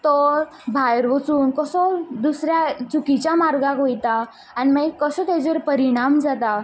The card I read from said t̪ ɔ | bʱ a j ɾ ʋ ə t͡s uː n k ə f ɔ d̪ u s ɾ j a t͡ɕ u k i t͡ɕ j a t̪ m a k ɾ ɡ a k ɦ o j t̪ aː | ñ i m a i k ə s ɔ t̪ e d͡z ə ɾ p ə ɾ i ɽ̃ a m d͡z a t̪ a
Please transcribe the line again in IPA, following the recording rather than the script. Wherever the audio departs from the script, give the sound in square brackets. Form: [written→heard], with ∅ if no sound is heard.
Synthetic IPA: t̪ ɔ | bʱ a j ɾ ʋ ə t͡s uː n k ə [f→s] ɔ d̪ u s ɾ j a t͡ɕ u k i t͡ɕ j a [t̪→∅] m a [k→∅] ɾ ɡ a k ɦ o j t̪ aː | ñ i m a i k ə s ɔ t̪ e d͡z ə ɾ p ə ɾ i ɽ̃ a m d͡z a t̪ a